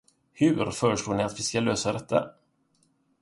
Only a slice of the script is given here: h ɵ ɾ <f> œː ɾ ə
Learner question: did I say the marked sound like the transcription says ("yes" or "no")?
yes